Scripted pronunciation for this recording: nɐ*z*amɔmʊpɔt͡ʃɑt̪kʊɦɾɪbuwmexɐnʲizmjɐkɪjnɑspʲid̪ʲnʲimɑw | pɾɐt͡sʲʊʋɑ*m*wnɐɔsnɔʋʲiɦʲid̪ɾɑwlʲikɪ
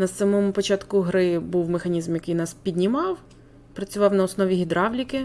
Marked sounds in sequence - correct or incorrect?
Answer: incorrect, incorrect

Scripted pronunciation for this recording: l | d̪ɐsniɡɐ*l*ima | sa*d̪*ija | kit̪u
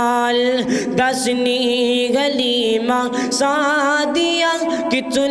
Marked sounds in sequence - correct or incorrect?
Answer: correct, correct

